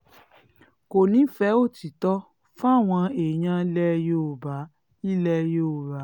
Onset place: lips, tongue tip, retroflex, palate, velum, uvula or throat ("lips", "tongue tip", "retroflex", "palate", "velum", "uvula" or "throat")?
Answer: velum